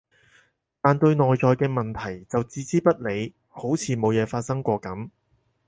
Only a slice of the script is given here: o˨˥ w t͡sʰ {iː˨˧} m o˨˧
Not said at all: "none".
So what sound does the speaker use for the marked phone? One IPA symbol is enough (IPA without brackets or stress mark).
iː˨˧